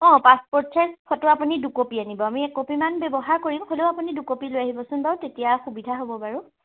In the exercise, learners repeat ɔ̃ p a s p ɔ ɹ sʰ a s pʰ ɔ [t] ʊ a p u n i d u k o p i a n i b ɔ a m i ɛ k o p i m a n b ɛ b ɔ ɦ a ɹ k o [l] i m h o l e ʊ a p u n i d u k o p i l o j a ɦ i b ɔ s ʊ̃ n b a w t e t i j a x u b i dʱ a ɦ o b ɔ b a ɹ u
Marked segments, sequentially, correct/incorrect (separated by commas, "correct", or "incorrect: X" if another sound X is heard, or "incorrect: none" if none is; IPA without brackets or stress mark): correct, incorrect: ɹ